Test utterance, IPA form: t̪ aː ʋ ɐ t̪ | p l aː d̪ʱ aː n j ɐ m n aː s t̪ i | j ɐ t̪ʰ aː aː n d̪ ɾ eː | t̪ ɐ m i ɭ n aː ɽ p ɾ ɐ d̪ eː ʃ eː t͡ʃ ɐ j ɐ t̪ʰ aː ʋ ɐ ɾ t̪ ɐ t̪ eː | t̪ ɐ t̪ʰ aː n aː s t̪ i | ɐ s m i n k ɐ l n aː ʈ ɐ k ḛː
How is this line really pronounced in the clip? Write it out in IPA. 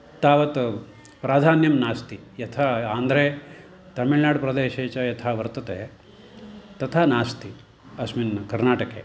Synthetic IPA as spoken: t̪ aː ʋ ɐ t̪ | p ɾ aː d̪ʱ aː n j ɐ m n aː s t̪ i | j ɐ t̪ʰ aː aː n d̪ ɾ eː | t̪ ɐ m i ɭ n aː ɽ p ɾ ɐ d̪ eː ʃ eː t͡ʃ ɐ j ɐ t̪ʰ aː ʋ ɐ ɾ t̪ ɐ t̪ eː | t̪ ɐ t̪ʰ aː n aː s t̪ i | ɐ s m i n k ɐ ɾ n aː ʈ ɐ k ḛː